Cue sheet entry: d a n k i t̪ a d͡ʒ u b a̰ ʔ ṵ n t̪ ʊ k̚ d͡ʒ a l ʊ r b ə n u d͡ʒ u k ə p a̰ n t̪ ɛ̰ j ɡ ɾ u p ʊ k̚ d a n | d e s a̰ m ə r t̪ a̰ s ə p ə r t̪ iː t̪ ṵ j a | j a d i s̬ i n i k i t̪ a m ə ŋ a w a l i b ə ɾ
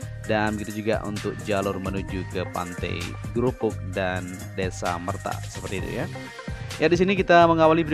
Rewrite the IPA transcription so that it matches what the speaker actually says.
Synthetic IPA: d a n k i t̪ a d͡ʒ u ɡ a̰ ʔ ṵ n t̪ ʊ k̚ d͡ʒ a l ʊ r m ə n u d͡ʒ u k ə p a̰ n t̪ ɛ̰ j ɡ ɾ u p ʊ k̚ d a n | d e s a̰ m ə r t̪ a̰ s ə p ə r t̪ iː t̪ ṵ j a | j a d i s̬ i n i k i t̪ a m ə ŋ a w a l i b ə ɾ